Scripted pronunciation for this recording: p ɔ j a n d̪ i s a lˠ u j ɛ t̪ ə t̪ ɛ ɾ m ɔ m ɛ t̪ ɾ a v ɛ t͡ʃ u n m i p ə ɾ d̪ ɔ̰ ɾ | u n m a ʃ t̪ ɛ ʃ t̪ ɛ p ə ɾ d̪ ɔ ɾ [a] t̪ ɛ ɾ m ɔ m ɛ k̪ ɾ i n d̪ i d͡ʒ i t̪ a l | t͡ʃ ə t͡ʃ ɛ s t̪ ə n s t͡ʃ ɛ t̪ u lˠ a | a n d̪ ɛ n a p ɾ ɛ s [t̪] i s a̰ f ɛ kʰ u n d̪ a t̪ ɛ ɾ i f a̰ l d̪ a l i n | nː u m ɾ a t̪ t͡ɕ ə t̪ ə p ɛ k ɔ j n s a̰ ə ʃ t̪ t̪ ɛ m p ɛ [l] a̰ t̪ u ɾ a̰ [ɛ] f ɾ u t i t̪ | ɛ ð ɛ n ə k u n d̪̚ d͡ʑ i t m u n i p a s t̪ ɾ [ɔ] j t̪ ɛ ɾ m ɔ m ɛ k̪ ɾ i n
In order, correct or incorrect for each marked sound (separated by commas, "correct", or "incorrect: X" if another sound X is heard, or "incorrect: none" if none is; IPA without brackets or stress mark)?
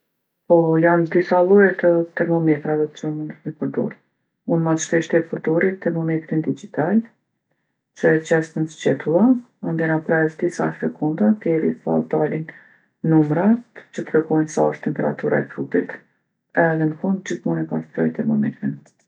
incorrect: i, incorrect: d̪, incorrect: ɾ, correct, correct